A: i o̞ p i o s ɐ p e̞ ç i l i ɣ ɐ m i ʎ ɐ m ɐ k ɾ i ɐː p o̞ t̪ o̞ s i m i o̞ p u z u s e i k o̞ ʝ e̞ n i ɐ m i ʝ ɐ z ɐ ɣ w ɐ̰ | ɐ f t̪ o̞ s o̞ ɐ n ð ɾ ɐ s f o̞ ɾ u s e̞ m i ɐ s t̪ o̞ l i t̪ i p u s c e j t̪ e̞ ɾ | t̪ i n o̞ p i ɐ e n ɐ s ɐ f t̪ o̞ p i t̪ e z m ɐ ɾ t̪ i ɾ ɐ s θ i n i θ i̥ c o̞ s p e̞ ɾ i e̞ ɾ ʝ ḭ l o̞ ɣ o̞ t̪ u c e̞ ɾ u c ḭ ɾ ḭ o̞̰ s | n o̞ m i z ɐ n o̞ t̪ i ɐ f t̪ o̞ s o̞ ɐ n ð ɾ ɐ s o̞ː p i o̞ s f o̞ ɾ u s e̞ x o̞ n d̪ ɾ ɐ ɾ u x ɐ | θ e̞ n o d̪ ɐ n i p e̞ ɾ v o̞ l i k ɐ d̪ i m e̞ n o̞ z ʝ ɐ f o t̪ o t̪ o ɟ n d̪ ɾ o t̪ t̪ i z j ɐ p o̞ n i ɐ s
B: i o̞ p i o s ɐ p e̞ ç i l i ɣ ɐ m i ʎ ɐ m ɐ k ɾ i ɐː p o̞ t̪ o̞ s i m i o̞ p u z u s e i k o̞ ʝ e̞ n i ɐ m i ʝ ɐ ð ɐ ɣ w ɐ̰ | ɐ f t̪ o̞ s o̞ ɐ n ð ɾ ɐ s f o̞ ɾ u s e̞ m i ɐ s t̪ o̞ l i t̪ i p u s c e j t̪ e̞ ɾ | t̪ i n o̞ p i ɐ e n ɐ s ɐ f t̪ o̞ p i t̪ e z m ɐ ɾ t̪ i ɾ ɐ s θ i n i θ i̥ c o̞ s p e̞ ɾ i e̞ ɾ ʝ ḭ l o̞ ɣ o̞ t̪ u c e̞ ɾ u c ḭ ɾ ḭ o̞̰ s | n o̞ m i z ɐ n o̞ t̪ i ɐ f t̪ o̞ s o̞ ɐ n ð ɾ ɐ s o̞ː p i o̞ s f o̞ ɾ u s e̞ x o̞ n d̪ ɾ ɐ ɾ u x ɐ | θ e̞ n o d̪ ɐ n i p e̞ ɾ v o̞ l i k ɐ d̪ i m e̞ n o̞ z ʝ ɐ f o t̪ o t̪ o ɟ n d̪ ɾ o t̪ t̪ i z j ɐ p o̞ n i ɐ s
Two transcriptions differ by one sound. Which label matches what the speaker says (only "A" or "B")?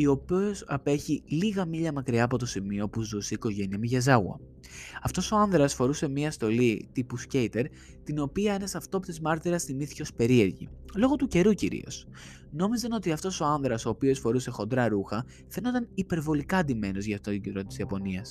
A